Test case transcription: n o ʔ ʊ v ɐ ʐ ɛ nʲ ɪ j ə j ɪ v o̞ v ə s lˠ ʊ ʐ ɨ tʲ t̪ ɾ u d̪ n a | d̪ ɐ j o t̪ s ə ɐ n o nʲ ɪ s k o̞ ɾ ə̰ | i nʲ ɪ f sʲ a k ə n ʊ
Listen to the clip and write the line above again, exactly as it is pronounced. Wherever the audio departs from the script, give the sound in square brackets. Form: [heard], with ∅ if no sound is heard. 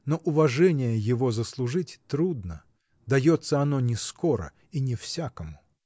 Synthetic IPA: n o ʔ ʊ v ɐ ʐ ɛ nʲ ɪ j ə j ɪ v o̞ [z] ə s lˠ ʊ ʐ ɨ tʲ t̪ ɾ u d̪ n [ə] | d̪ ɐ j o t̪ s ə ɐ n o nʲ ɪ s k o̞ ɾ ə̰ | i nʲ ɪ f sʲ a k ə [m] ʊ